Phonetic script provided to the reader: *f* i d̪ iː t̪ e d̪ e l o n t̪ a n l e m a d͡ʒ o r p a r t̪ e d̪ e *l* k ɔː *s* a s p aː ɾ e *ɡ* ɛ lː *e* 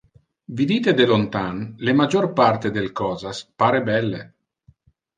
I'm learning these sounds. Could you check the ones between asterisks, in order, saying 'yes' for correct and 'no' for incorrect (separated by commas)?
no, yes, no, no, yes